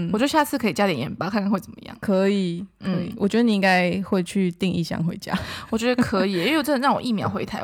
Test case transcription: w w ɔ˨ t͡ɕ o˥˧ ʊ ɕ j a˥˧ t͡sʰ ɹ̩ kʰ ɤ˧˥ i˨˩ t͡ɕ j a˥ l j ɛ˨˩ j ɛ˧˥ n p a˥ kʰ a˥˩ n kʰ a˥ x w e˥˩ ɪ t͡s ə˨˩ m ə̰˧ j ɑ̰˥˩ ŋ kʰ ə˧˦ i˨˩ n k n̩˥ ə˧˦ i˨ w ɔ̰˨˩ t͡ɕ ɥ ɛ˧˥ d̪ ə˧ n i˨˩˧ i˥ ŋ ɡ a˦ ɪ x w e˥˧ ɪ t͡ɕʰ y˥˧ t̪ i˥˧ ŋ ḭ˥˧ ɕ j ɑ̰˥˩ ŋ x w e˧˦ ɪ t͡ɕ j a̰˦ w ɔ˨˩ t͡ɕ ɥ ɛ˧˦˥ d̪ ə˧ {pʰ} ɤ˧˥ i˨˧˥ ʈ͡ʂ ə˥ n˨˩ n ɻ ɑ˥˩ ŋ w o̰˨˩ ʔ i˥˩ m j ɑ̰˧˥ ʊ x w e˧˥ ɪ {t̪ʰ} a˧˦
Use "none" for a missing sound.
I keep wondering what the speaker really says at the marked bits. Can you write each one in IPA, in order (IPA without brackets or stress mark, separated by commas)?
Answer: kʰ, t̪ʰ